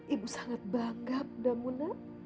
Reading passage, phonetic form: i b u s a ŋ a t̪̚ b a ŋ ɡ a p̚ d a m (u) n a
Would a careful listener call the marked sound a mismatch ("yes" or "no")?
no